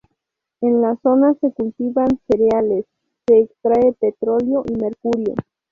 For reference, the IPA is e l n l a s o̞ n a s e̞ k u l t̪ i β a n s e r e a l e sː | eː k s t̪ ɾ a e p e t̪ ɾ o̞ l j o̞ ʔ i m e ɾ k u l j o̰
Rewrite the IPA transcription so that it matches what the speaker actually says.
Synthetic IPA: e n l a s o̞ n a s e̞ k u l t̪ i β a n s e ɾ e a l e sː | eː k s t̪ ɾ a e p e t̪ ɾ o̞ l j o̞ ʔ i m e ɾ k u ɾ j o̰